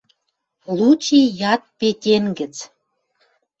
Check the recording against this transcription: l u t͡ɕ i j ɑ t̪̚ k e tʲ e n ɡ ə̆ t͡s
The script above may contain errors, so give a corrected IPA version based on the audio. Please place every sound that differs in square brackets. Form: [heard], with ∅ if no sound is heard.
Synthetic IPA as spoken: l u t͡ɕ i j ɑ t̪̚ [p] e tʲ e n ɡ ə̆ t͡s